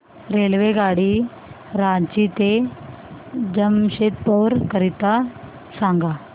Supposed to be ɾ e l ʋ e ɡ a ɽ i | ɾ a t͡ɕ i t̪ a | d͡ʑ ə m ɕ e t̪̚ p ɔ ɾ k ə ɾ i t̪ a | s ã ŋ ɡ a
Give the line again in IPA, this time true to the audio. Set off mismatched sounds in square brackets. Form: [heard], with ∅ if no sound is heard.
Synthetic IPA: ɾ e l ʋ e ɡ a ɽ i | ɾ a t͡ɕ i t̪ [e] | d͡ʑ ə m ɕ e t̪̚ p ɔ ɾ k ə ɾ i t̪ a | s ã ŋ ɡ a